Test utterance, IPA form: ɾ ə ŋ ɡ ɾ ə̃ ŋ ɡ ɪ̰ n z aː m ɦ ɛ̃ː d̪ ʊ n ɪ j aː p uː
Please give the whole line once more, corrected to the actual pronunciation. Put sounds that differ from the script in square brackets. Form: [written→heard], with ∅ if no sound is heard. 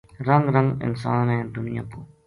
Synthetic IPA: ɾ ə ŋ ɡ ɾ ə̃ ŋ ɡ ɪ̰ n [z→s] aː [m→n] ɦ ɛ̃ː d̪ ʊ n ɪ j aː p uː